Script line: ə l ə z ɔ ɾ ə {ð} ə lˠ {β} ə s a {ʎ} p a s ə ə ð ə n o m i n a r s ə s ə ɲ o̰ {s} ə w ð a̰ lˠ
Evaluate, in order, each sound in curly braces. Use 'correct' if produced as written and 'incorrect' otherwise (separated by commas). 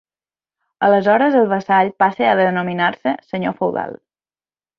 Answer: incorrect, correct, correct, incorrect